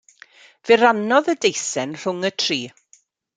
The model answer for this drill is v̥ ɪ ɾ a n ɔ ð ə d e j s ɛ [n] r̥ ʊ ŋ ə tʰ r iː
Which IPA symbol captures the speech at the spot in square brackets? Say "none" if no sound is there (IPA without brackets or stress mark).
n